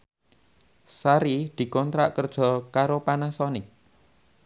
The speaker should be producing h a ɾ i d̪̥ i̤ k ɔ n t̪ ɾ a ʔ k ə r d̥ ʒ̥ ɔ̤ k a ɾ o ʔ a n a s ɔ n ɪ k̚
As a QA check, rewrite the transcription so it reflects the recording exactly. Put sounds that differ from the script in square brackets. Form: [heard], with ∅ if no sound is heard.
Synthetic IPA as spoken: [s] a ɾ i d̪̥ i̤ k ɔ n t̪ ɾ a ʔ k ə r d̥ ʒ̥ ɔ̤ k a ɾ o [p] a n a s ɔ n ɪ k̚